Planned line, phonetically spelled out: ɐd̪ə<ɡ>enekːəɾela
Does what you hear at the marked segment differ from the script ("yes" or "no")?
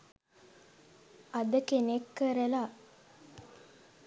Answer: yes